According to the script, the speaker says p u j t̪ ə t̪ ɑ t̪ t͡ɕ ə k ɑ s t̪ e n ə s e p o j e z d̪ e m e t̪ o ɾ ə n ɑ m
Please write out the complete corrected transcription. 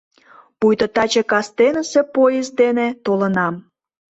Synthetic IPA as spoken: p u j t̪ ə t̪ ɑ t͡ɕ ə k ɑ s t̪ e n ə s e p o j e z d̪ e n e t̪ o l ə n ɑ m